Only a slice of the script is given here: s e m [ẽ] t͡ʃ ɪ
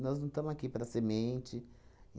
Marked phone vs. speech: correct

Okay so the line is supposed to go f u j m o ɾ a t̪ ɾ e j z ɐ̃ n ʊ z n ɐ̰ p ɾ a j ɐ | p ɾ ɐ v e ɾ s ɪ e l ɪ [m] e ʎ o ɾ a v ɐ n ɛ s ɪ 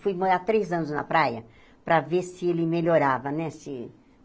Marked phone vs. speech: correct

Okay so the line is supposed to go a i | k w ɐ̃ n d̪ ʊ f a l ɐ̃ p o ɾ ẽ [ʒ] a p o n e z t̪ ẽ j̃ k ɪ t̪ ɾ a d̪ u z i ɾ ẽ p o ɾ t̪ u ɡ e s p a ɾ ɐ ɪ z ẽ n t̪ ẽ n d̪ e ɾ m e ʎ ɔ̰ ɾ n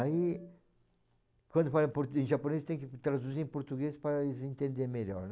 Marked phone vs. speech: correct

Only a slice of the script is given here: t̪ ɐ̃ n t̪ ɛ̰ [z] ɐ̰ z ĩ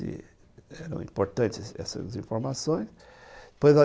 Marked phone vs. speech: incorrect: s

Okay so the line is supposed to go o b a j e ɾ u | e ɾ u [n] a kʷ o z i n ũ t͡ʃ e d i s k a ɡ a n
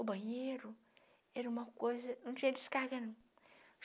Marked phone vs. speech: incorrect: m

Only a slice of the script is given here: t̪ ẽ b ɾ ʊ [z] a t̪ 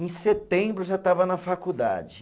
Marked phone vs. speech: incorrect: ʒ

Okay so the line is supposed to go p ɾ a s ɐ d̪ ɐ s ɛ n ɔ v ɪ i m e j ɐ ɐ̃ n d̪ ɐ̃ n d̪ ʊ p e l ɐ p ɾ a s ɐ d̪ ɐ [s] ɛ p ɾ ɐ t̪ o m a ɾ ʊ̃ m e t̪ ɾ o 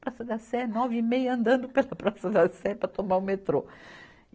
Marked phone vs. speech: correct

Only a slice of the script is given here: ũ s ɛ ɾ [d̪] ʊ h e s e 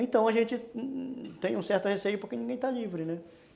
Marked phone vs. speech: incorrect: t̪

